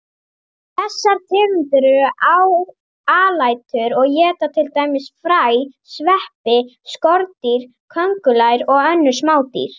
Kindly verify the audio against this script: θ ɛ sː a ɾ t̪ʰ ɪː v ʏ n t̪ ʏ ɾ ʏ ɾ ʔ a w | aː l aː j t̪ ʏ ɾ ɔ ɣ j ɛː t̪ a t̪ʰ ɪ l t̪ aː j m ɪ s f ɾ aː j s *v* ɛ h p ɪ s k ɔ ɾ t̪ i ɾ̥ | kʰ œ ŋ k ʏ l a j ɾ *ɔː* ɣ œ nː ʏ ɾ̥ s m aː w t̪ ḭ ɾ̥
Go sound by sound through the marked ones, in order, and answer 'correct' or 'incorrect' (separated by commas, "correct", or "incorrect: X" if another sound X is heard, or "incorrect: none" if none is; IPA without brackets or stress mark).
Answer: correct, incorrect: ɔ